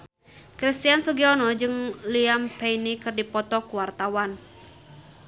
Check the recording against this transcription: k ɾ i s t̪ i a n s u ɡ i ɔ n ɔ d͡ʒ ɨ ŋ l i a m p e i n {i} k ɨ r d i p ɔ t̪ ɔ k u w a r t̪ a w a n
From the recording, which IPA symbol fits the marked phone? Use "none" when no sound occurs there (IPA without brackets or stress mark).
i